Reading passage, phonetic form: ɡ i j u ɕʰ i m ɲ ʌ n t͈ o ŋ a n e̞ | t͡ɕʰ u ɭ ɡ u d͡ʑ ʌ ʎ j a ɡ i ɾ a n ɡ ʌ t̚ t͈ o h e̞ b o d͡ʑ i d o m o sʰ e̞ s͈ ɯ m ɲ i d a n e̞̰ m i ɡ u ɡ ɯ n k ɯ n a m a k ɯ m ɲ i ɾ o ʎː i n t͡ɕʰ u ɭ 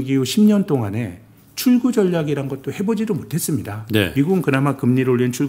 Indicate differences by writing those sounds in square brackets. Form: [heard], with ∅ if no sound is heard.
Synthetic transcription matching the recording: ɡ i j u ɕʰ i m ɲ ʌ n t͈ o ŋ a n e̞ | t͡ɕʰ u ɭ ɡ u d͡ʑ ʌ ʎ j a ɡ i ɾ a n ɡ ʌ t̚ t͈ o h e̞ b o d͡ʑ i d o m o [tʰ] e̞ s͈ ɯ m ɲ i d a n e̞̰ m i ɡ u ɡ ɯ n k ɯ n a m a k ɯ m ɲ i ɾ o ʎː i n t͡ɕʰ u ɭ